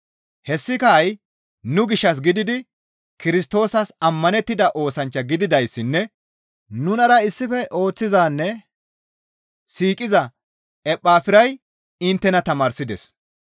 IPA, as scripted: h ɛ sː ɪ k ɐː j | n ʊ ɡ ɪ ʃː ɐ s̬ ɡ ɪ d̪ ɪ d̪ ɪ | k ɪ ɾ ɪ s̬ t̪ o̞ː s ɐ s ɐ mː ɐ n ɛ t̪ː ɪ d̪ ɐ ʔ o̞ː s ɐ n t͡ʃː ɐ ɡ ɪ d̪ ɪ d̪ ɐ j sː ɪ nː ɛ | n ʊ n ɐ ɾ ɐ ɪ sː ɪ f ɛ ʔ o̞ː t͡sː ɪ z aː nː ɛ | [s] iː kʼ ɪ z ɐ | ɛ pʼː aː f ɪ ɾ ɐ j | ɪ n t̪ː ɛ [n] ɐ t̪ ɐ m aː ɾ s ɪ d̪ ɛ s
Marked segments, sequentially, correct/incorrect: correct, correct

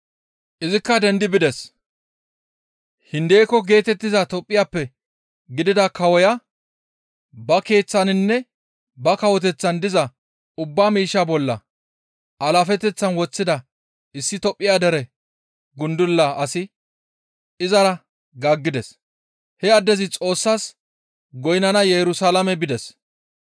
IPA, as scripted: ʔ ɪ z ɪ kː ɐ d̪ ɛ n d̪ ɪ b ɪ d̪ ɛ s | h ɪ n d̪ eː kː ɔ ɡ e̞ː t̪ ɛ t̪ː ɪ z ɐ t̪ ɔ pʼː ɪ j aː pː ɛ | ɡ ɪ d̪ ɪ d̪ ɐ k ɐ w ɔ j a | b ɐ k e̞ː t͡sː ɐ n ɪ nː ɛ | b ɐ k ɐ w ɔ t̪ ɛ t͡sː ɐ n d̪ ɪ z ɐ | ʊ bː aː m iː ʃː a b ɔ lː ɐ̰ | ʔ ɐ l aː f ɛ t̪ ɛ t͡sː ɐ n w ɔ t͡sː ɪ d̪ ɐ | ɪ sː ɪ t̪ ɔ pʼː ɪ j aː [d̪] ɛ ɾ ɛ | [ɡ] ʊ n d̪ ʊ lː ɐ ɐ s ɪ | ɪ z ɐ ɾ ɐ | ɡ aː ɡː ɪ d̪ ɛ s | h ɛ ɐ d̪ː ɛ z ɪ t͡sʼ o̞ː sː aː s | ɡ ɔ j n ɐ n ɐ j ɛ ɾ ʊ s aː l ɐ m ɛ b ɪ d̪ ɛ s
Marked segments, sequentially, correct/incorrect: correct, correct

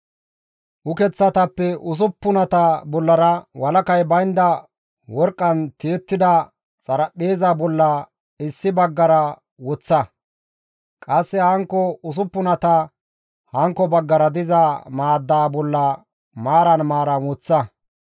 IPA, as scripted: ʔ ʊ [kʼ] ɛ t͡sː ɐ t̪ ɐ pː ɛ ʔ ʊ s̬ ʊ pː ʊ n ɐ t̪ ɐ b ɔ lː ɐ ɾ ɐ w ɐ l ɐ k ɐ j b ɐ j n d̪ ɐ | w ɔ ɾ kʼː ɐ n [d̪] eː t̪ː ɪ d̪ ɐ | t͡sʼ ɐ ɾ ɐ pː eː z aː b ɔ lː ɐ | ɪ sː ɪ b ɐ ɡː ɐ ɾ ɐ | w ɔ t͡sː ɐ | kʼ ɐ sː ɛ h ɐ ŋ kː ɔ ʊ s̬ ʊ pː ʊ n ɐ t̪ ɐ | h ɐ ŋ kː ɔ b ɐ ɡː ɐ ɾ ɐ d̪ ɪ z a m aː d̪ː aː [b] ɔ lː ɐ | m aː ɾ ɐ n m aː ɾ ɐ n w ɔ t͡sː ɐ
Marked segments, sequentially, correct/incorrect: incorrect: k, incorrect: t̪, correct

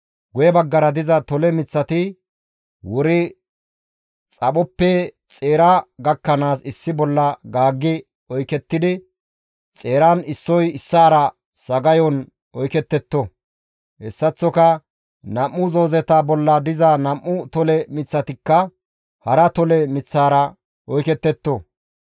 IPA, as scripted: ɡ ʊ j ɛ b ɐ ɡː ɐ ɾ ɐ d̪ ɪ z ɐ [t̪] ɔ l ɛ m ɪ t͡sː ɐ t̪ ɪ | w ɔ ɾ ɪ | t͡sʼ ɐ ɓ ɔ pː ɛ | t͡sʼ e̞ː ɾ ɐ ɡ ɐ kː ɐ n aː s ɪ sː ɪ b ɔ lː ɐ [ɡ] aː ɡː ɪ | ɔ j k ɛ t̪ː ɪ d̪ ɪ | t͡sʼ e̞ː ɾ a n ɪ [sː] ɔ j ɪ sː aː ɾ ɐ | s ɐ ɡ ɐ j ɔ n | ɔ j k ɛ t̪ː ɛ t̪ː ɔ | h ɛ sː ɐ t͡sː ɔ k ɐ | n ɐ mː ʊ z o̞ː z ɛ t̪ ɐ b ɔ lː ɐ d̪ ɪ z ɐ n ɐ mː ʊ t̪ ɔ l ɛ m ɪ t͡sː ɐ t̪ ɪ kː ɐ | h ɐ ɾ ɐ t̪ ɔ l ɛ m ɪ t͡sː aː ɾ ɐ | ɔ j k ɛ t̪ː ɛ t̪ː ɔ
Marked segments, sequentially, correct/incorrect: correct, correct, correct

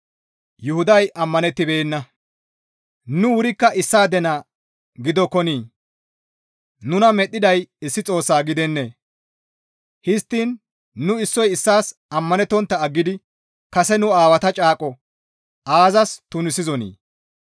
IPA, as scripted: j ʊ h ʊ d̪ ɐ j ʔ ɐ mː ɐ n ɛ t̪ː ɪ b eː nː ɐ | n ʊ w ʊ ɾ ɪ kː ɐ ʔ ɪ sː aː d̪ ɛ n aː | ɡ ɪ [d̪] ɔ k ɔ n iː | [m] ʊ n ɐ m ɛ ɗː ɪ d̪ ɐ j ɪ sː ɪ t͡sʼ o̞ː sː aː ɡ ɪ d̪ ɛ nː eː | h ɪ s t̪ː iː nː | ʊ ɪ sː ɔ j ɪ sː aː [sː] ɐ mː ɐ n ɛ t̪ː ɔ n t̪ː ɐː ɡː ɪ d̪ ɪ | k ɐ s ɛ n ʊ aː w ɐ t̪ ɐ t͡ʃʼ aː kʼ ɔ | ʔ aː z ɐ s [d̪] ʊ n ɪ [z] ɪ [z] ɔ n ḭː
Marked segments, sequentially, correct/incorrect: correct, incorrect: n, incorrect: s, incorrect: t̪, incorrect: s, correct

